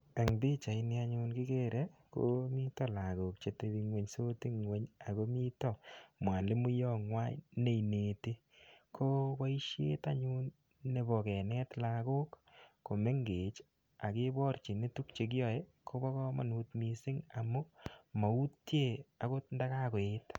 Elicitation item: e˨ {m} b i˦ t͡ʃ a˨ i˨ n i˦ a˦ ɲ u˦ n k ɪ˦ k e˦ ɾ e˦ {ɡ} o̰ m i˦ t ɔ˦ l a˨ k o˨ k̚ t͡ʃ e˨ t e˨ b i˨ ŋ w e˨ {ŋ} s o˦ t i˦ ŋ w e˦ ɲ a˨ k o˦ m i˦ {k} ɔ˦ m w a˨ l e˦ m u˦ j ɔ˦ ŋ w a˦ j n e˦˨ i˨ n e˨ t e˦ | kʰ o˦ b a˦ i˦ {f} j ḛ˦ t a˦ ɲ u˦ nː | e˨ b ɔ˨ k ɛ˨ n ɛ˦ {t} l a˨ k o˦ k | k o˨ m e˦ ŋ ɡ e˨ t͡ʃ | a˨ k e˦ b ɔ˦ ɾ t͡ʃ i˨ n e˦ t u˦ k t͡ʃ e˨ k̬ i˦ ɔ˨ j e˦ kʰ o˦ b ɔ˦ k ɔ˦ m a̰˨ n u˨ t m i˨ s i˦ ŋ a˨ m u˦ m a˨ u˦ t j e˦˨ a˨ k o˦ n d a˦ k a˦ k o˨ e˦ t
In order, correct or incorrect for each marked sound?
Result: incorrect, incorrect, incorrect, incorrect, incorrect, correct

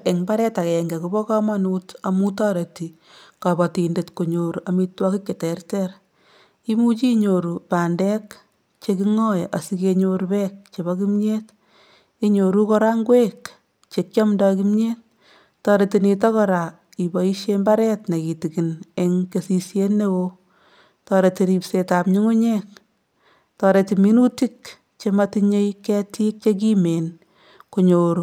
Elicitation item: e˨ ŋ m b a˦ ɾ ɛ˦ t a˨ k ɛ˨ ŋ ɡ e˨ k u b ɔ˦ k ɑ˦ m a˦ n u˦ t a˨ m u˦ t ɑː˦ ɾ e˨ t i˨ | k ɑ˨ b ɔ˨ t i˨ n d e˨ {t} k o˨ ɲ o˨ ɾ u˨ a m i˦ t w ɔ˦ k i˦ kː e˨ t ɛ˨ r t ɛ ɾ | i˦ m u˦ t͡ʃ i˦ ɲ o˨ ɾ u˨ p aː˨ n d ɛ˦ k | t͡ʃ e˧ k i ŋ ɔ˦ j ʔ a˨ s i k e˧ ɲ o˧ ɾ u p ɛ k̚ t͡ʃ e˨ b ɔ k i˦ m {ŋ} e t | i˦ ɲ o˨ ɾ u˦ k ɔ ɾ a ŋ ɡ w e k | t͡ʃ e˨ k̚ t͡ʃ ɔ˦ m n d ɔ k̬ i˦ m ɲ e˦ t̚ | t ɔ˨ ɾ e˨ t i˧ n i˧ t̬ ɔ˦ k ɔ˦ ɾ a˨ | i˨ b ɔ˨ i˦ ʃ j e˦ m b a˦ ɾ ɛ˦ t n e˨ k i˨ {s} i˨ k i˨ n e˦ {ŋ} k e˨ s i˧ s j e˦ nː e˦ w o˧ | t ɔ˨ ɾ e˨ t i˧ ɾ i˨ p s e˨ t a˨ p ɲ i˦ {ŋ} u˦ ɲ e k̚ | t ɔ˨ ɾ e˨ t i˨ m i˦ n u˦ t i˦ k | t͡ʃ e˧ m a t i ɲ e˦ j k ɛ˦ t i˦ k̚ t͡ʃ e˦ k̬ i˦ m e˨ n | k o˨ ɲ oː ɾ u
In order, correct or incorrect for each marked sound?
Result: correct, incorrect, incorrect, correct, correct

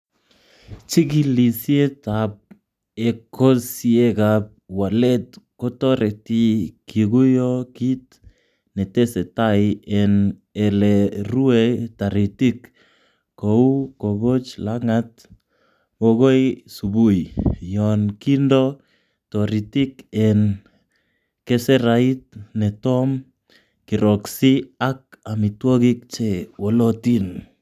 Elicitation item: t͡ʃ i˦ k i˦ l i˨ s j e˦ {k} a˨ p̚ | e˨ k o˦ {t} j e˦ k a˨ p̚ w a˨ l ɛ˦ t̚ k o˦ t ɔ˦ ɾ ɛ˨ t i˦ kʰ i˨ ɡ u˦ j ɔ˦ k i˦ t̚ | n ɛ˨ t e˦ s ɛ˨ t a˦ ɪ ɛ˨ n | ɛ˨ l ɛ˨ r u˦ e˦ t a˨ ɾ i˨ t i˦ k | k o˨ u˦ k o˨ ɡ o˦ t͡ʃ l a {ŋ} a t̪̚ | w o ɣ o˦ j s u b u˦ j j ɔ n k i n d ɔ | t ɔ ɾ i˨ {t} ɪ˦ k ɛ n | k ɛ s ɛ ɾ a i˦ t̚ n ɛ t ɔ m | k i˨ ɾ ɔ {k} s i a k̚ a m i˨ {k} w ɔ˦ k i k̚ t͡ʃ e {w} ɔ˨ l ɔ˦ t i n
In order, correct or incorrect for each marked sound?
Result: incorrect, incorrect, correct, correct, correct, incorrect, correct

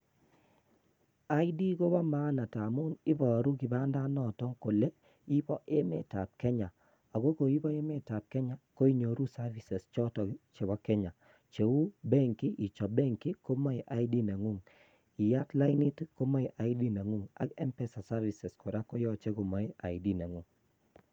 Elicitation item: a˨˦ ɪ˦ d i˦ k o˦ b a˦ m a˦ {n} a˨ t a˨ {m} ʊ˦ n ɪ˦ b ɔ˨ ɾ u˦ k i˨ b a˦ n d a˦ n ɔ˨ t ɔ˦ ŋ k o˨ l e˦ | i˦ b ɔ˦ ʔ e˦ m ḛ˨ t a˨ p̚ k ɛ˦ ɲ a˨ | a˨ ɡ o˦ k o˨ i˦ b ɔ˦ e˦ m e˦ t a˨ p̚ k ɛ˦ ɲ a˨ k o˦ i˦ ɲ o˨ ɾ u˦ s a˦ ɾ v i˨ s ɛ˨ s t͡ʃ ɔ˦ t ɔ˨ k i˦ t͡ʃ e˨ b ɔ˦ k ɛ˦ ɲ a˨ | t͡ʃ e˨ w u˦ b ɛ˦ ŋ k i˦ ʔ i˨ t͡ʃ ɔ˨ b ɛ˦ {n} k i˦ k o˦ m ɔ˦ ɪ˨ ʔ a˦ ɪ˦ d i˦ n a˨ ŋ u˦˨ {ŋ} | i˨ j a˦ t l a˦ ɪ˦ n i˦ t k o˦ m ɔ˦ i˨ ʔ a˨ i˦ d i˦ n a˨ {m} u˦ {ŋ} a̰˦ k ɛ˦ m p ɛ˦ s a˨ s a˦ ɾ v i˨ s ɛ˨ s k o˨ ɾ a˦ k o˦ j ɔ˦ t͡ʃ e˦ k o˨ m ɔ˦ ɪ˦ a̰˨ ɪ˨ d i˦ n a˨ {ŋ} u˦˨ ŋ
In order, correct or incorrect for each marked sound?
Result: correct, correct, incorrect, correct, incorrect, correct, correct

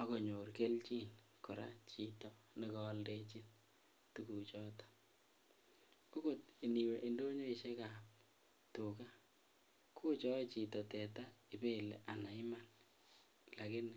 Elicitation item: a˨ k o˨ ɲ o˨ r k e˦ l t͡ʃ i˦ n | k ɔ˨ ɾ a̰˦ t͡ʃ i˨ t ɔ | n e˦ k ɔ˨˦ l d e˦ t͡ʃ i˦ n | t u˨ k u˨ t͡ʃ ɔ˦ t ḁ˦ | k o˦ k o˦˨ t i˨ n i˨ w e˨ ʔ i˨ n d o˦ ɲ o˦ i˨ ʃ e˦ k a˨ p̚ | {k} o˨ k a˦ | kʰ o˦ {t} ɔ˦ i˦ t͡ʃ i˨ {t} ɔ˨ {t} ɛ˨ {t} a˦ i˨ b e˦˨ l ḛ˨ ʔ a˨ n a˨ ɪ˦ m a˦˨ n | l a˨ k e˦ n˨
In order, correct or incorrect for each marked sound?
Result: incorrect, incorrect, correct, correct, correct

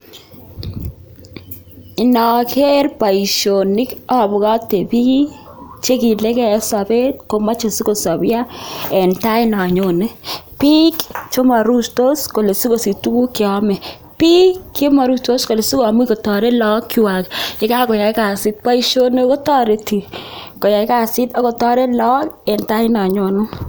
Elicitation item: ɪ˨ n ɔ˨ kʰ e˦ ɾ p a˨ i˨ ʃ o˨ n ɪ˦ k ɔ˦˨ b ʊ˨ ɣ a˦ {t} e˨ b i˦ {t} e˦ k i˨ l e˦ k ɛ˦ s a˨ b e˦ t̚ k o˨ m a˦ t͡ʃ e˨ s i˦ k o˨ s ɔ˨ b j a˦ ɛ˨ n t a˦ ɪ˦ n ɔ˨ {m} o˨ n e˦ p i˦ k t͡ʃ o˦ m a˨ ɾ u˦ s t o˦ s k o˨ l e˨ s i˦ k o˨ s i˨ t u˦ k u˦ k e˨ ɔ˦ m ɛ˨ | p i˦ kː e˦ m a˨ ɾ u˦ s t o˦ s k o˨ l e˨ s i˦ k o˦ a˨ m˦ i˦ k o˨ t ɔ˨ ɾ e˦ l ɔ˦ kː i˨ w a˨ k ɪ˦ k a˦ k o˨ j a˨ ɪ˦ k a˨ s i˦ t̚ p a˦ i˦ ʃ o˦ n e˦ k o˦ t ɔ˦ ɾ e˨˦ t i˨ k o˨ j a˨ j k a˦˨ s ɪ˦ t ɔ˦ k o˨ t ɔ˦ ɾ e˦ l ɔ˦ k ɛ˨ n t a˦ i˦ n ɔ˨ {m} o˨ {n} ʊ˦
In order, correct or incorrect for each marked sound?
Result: correct, incorrect, incorrect, incorrect, correct

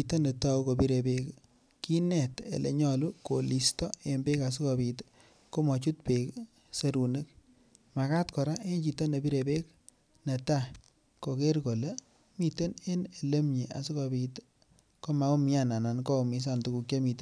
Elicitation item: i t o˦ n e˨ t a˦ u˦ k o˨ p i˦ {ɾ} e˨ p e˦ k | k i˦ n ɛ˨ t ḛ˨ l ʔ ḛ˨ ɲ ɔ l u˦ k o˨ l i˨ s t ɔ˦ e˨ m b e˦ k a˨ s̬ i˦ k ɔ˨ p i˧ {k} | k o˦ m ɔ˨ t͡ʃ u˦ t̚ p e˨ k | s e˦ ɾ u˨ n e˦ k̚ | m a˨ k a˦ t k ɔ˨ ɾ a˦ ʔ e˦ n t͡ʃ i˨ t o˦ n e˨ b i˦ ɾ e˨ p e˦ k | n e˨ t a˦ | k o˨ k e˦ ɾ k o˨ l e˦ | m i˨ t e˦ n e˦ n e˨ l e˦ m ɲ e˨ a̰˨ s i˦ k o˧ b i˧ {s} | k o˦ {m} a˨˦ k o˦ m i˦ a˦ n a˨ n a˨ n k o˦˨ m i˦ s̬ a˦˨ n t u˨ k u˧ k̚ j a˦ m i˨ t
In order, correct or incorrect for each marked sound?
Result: correct, incorrect, incorrect, correct

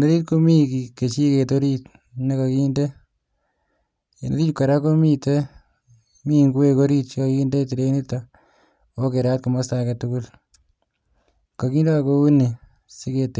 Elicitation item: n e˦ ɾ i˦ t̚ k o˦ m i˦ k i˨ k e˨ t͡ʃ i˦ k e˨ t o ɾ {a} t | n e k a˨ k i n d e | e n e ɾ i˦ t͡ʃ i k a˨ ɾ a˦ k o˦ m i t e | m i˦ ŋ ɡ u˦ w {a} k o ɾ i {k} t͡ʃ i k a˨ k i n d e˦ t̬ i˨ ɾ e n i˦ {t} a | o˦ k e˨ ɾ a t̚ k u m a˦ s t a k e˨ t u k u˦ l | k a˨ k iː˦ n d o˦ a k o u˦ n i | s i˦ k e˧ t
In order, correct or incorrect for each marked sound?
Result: incorrect, incorrect, incorrect, correct

